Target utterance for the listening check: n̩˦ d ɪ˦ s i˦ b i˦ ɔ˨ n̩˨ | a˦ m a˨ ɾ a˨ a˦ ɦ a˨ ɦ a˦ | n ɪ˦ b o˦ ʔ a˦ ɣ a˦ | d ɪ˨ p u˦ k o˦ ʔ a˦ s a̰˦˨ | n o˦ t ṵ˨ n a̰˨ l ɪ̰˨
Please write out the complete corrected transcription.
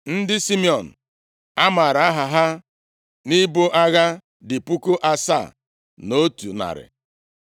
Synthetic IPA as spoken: n̩˦ d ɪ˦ s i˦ m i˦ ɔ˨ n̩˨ | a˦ m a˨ ɾ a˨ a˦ ɦ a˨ ɦ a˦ | n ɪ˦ b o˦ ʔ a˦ ɣ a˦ | d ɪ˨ p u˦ k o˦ ʔ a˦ s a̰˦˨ | n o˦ t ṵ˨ n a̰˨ ɾ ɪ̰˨

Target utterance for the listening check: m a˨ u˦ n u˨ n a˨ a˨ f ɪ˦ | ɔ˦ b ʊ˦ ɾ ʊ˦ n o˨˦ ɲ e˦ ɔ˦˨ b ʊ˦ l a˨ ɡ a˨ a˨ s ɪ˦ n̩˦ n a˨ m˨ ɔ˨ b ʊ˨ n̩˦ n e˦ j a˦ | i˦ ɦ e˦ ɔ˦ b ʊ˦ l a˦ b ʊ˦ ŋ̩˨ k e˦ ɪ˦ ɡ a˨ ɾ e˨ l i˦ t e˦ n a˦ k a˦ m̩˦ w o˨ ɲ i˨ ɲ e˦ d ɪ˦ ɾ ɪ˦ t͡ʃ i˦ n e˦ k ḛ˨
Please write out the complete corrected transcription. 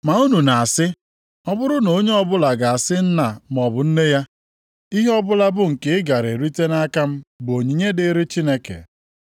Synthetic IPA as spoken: m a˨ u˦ n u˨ n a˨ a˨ s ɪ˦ | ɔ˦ b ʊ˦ ɾ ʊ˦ n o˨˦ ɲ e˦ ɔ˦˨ b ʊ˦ l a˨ ɡ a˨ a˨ s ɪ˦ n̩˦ n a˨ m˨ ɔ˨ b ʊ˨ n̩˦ n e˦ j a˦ | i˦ ɦ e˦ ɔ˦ b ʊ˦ l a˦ b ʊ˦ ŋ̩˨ k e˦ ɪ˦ ɡ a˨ ɾ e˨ ɾ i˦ t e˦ n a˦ k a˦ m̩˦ b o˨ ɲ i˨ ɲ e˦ d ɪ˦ ɾ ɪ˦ t͡ʃ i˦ n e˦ k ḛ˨

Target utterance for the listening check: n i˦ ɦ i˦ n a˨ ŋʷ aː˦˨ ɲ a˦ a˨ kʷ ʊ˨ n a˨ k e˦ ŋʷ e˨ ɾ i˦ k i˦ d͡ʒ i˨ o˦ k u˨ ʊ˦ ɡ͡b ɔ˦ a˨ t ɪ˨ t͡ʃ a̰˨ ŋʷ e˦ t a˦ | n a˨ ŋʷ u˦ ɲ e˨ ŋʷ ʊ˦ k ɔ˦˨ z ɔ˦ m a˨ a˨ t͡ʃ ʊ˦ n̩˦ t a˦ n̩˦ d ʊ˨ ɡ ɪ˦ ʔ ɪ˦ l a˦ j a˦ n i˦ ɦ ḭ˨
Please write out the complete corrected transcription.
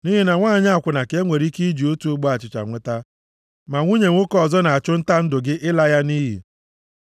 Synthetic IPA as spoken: n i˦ ɦ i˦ n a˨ ŋʷ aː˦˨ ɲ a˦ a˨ kʷ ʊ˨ n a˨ k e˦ ŋʷ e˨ ɾ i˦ k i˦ d͡ʒ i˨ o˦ t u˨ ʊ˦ ɡ͡b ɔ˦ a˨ t͡ʃ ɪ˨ t͡ʃ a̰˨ ŋʷ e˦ t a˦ | m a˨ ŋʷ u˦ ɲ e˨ ŋʷ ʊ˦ k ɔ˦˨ z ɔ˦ n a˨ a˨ t͡ʃ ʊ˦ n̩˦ t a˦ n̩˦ d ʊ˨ ɡ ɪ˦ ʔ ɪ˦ l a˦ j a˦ n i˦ ɦ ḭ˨

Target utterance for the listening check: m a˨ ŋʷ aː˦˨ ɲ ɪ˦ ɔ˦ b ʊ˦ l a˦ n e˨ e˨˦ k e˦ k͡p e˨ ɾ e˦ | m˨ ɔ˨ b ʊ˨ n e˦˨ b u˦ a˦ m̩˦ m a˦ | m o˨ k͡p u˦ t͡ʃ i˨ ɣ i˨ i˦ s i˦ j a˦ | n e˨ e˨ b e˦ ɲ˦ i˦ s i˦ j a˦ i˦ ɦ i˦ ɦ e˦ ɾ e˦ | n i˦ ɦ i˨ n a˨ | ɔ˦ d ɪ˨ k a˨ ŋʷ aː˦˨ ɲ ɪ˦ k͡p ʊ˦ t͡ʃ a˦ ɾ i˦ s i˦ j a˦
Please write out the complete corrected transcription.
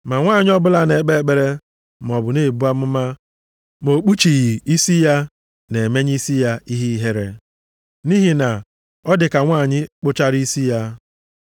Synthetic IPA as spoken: m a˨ ŋʷ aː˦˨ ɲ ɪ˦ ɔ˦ b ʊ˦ l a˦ n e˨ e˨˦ k͡p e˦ k͡p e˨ ɾ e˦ | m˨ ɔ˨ b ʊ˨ n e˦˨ b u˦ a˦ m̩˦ m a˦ | m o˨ k͡p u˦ t͡ʃ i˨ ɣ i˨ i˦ s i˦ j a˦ | n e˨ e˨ m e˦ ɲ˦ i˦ s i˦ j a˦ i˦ ɦ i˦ ɦ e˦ ɾ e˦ | n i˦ ɦ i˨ n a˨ | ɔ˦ d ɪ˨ k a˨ ŋʷ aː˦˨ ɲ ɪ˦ k͡p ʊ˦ t͡ʃ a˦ ɾ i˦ s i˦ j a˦

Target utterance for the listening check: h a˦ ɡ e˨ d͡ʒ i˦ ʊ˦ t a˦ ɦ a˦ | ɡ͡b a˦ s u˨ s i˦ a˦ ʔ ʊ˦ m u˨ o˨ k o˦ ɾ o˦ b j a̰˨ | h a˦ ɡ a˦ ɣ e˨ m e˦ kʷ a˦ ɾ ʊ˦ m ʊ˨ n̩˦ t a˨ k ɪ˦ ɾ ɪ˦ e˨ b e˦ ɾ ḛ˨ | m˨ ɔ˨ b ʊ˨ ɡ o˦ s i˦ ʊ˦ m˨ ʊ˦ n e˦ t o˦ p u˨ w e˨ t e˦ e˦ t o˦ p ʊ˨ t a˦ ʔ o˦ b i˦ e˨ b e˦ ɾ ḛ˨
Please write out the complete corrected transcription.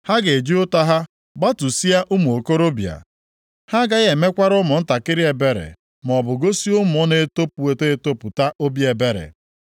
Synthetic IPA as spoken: h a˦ ɡ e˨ d͡ʒ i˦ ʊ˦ t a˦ ɦ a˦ | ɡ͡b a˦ t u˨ s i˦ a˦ ʔ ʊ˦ m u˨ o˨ k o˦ ɾ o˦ b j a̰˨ | h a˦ ɡ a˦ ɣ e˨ m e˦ kʷ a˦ ɾ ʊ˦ m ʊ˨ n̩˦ t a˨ k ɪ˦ ɾ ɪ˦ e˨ b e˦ ɾ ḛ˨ | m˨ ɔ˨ b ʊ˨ ɡ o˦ s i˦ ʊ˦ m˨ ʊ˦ n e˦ t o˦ p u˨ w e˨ t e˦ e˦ t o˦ p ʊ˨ t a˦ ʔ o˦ b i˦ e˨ b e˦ ɾ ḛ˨

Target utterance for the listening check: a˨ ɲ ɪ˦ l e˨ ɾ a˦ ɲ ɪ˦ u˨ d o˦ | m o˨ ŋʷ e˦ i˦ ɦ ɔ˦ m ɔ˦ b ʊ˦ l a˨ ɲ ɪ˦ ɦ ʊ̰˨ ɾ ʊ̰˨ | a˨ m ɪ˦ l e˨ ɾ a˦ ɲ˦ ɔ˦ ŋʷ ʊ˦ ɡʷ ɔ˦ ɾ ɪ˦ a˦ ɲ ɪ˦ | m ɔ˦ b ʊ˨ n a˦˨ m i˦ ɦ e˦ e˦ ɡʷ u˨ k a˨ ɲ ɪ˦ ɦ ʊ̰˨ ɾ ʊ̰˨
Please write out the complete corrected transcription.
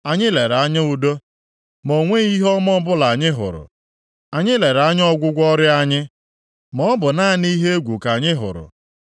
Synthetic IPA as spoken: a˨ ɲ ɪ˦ l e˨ ɾ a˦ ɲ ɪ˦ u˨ d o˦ | m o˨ ŋʷ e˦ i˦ ɦ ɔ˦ m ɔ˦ b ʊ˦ l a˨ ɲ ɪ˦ ɦ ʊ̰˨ ɾ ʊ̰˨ | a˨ ɲ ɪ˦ l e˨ ɾ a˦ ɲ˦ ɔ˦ ɡʷ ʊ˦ ɡʷ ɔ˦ ɾ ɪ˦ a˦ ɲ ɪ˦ | m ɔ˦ b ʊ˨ n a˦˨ n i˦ ɦ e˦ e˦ ɡʷ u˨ k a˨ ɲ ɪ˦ ɦ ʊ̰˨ ɾ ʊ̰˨

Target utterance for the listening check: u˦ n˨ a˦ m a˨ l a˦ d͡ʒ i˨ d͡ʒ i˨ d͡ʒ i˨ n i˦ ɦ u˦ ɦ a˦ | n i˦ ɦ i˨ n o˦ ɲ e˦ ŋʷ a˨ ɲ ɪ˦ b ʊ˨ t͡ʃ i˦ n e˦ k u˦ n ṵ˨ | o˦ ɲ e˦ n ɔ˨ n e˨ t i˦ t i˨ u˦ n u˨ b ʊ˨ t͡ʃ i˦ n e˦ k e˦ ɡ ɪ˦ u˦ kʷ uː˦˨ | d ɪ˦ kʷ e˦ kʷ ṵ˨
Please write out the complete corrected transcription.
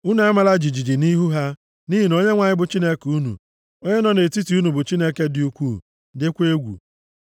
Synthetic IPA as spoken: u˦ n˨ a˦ m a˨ l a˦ d͡ʒ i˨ d͡ʒ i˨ d͡ʒ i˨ n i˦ ɦ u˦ ɦ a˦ | n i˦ ɦ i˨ n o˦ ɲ e˦ ŋʷ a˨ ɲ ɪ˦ b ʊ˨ t͡ʃ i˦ n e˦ k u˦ n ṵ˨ | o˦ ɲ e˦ n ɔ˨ n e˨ t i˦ t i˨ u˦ n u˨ b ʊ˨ t͡ʃ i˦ n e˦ k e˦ d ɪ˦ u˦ kʷ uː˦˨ | d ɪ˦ kʷ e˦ ɡʷ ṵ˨

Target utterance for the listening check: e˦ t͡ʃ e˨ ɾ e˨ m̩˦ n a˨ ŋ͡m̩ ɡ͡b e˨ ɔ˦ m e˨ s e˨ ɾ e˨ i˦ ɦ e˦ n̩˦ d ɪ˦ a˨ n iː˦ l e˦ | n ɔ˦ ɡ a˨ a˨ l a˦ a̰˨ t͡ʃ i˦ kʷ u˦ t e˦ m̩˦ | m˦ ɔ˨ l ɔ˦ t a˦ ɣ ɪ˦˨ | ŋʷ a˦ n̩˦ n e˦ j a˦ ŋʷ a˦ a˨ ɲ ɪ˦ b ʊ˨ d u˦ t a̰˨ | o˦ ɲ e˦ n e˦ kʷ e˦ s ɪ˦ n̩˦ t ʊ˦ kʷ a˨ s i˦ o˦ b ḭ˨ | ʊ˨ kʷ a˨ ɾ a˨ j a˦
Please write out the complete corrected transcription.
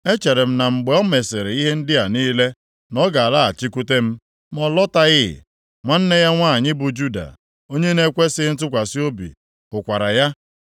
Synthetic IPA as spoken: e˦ t͡ʃ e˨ ɾ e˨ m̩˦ n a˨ ŋ͡m̩ ɡ͡b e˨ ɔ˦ m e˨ s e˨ ɾ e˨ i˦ ɦ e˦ n̩˦ d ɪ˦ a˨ n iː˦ l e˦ | n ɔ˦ ɡ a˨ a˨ l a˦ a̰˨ t͡ʃ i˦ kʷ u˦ t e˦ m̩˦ | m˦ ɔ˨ l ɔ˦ t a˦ ɣ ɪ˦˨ | ŋʷ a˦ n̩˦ n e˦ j a˦ ŋʷ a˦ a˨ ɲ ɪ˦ b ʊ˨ d͡ʒ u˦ d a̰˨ | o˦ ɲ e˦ n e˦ kʷ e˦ s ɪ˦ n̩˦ t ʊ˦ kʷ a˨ s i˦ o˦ b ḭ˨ | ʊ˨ kʷ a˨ ɾ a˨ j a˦

